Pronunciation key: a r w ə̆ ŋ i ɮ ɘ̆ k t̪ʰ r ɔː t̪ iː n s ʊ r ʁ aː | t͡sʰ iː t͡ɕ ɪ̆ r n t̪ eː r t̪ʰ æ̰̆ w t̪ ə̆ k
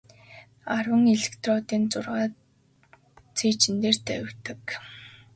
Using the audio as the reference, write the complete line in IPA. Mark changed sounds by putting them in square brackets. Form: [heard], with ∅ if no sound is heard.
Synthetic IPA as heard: a r w ə̆ ŋ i ɮ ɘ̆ k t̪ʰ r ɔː t̪ iː n [t͡s] ʊ r ʁ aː | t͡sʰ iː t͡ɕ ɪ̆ [∅] n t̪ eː r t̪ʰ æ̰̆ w t̪ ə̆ k